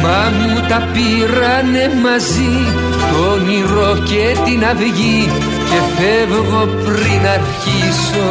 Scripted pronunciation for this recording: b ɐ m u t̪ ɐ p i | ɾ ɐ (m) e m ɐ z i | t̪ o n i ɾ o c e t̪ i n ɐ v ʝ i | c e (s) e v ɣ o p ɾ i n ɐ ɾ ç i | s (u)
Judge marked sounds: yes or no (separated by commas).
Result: no, no, no